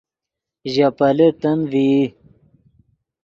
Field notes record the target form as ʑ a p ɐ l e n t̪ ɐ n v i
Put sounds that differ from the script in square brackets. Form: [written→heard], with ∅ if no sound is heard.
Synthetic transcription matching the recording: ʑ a p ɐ l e [n→∅] t̪ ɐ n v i